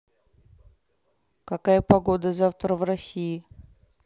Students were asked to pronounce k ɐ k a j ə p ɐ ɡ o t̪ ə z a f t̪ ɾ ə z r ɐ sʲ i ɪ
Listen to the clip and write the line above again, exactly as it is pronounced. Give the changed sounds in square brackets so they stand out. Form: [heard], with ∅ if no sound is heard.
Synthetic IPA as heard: k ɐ k a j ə p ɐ ɡ o [d̪] ə z a f t̪ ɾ ə [v] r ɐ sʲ i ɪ